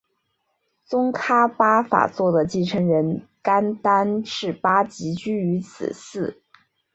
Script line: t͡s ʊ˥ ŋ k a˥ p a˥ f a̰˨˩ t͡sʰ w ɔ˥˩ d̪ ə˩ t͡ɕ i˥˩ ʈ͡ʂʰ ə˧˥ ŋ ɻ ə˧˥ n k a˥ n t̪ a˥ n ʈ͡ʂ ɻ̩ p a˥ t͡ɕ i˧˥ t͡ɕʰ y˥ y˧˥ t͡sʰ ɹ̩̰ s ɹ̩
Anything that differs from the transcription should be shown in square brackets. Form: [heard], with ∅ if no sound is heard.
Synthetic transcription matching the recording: t͡s ʊ˥ ŋ [kʰ] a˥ p a˥ f a̰˨˩ [t͡s] w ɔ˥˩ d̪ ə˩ t͡ɕ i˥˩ ʈ͡ʂʰ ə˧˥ ŋ ɻ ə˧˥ n k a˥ n t̪ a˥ n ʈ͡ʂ ɻ̩ p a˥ t͡ɕ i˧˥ [t͡ɕ] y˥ y˧˥ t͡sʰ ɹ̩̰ s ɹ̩

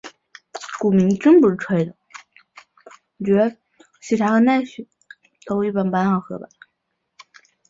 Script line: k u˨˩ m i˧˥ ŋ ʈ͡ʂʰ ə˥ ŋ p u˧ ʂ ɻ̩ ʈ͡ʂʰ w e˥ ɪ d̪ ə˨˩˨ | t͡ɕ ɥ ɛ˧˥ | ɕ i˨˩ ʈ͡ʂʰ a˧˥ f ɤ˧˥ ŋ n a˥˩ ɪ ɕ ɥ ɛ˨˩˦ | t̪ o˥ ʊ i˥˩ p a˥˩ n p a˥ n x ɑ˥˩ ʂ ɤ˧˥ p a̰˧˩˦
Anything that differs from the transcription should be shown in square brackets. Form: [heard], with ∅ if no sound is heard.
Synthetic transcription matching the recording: k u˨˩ m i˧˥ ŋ [ʈ͡ʂ] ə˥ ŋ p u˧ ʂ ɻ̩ ʈ͡ʂʰ w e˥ ɪ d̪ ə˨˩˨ | t͡ɕ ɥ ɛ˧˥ | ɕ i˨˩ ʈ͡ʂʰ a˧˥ [x] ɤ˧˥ [∅] n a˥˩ ɪ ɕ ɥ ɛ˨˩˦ | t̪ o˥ ʊ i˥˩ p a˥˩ n p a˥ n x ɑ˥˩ [x] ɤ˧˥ [b] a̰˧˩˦

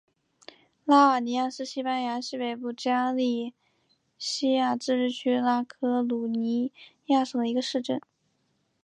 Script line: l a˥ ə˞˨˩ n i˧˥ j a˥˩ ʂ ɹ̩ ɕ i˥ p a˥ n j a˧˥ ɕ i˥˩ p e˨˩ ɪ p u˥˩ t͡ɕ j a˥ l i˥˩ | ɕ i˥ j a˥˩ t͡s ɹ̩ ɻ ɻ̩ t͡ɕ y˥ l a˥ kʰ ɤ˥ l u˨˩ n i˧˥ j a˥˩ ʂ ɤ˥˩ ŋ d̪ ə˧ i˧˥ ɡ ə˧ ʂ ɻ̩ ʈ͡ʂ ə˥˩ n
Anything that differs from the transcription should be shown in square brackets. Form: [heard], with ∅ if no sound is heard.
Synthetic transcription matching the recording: l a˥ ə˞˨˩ n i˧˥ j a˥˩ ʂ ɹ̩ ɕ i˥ p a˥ n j a˧˥ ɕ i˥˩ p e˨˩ ɪ p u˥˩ t͡ɕ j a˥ l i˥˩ | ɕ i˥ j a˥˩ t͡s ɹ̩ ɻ ɻ̩ [t͡ɕʰ] y˥ l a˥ kʰ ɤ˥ l u˨˩ n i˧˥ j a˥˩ ʂ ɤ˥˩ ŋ d̪ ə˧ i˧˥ ɡ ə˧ ʂ ɻ̩ ʈ͡ʂ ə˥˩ n

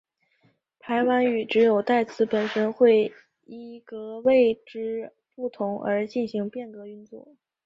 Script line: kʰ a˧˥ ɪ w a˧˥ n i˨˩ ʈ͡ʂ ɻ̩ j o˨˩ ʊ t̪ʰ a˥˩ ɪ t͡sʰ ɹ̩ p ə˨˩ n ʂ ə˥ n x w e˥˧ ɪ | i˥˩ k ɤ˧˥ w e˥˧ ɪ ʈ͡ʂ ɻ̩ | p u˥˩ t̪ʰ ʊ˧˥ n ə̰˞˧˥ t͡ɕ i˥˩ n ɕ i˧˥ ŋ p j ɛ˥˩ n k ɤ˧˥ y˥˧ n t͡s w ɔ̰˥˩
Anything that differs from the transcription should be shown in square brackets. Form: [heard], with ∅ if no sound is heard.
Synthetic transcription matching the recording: [pʰ] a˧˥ ɪ w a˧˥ n [y˨˩] ʈ͡ʂ ɻ̩ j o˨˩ ʊ [t̪] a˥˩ ɪ t͡sʰ ɹ̩ p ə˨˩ n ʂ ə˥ n x w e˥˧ ɪ | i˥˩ k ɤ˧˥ w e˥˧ ɪ ʈ͡ʂ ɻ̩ | p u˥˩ t̪ʰ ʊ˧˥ [ŋ] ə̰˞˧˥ t͡ɕ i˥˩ n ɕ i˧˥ ŋ p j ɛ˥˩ n k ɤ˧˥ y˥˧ n t͡s w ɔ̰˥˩

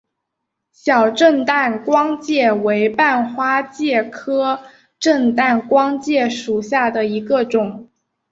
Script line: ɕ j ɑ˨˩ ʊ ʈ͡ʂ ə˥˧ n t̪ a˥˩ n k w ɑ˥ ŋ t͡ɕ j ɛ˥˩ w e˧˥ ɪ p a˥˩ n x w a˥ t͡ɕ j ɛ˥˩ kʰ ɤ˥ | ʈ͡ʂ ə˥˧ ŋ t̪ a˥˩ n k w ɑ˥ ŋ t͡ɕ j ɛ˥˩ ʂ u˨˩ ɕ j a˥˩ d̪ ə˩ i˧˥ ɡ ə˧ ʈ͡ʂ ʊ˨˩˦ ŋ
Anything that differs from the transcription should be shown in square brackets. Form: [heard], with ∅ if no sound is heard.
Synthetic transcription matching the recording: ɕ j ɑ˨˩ ʊ ʈ͡ʂ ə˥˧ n t̪ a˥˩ n k w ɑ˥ ŋ t͡ɕ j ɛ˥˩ w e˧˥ ɪ p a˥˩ n x w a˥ t͡ɕ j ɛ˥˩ kʰ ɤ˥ | ʈ͡ʂ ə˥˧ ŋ t̪ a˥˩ n k w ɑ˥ ŋ t͡ɕ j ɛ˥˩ ʂ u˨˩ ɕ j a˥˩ d̪ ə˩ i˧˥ ɡ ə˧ ʈ͡ʂ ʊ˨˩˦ ŋ

